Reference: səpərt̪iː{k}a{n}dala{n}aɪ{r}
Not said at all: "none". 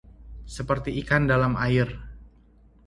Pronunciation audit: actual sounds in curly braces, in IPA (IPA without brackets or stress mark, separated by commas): k, n, m, r